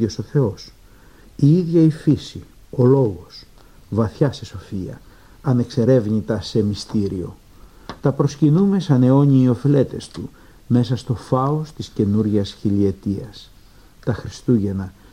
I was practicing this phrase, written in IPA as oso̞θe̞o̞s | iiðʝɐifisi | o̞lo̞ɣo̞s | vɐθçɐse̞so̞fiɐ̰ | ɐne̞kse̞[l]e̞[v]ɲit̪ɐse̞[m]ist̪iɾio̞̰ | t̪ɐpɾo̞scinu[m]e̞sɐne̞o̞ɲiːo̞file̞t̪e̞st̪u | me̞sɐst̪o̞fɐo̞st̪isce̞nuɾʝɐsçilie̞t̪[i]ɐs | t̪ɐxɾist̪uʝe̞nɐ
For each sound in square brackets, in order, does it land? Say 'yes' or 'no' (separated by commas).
no, yes, yes, yes, yes